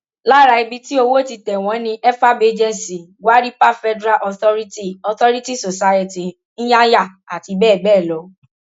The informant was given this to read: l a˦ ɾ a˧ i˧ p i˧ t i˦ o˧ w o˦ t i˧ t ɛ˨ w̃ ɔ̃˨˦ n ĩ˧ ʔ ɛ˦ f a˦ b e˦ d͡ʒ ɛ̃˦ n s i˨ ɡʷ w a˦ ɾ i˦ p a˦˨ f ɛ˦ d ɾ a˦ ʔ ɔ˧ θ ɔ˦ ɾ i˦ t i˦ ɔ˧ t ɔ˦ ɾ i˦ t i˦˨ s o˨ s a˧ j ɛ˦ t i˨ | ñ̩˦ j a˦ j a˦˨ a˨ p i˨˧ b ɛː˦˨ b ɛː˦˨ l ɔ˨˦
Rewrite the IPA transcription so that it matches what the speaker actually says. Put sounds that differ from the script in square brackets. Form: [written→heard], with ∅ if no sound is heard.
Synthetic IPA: l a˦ ɾ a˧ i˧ [p→b] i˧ t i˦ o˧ w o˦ t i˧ t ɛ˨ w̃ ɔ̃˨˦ n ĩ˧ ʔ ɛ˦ f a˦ b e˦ d͡ʒ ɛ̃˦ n s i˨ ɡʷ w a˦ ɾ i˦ p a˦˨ f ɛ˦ d ɾ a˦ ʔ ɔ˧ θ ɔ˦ ɾ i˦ t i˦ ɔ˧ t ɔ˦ ɾ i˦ t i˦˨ s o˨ s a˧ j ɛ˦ t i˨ | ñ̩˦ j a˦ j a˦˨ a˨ [p→t] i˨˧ b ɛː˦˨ b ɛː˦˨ l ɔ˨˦